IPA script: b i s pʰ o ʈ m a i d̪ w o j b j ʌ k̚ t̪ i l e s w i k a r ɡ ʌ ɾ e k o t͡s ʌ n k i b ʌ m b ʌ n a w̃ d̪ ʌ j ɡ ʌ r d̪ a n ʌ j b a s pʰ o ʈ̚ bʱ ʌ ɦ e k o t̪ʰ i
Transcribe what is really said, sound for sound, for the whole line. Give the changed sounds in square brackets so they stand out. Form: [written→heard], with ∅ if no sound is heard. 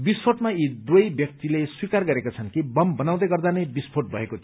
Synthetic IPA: b i s pʰ o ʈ m a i d̪ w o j b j ʌ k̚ t̪ i l e s w i k a r ɡ ʌ ɾ e k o [t͡s→t͡sʰ] ʌ n k i b ʌ m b ʌ n a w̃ d̪ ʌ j ɡ ʌ r d̪ a n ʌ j b [a→i] s pʰ o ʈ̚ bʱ ʌ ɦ e k o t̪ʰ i

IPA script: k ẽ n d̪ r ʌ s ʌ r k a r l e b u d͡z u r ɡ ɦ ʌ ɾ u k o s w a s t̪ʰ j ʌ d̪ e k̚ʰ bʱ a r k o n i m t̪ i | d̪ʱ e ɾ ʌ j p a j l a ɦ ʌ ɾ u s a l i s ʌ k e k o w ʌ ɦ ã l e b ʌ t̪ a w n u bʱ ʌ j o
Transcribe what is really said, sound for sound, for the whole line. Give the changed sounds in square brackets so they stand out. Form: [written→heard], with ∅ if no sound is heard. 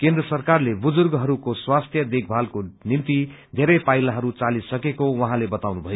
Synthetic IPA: k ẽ n d̪ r ʌ s ʌ r k a r l e b u d͡z u r ɡ ɦ ʌ ɾ u k o s w a s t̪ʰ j ʌ d̪ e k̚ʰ bʱ a [r→l] k o n i m t̪ i | d̪ʱ e ɾ ʌ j p a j l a ɦ ʌ ɾ u [s→t͡s] a l i s ʌ k e k o w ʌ ɦ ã l e b ʌ t̪ a w n u bʱ ʌ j o

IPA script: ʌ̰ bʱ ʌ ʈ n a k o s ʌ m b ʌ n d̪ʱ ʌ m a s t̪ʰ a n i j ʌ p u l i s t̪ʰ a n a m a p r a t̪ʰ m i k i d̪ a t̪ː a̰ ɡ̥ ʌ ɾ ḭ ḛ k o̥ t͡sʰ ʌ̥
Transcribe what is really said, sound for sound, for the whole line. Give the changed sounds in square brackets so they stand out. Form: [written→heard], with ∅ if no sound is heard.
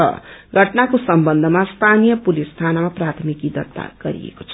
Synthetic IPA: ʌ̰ [bʱ→ɡʱ] ʌ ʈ n a k o s ʌ m b ʌ n d̪ʱ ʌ m a s t̪ʰ a n i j ʌ p u l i s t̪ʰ a n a m a p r a t̪ʰ m i k i d̪ [a→ʌ] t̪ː a̰ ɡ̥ ʌ ɾ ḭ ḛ k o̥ t͡sʰ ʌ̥

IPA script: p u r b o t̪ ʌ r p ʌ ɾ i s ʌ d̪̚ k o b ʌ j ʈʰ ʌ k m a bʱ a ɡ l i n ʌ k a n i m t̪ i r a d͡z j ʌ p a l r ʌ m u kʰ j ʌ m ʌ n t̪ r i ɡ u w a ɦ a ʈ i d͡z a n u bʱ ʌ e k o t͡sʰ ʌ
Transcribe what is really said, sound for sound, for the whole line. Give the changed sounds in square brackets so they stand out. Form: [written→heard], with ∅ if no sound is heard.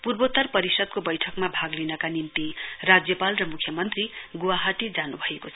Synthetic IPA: p u r b o t̪ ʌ r p ʌ ɾ i s ʌ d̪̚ k o b ʌ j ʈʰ ʌ k m a bʱ a ɡ l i n ʌ k a n i m t̪ i r a d͡z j ʌ p a l r ʌ m u kʰ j ʌ m ʌ n t̪ r i ɡ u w a ɦ a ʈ i d͡z a n u bʱ ʌ e k o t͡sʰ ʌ

